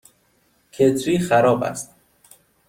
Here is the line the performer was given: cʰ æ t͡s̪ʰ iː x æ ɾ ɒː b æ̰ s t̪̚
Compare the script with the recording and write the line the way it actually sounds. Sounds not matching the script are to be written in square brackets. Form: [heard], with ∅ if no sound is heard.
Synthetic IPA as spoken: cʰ [e] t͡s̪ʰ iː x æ ɾ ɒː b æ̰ s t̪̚